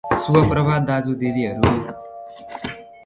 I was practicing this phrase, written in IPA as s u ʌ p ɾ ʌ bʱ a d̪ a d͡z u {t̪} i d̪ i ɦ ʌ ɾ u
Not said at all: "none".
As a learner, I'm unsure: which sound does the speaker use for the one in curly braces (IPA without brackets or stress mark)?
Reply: d̪